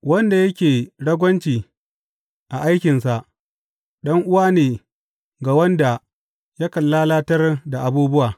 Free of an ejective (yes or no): yes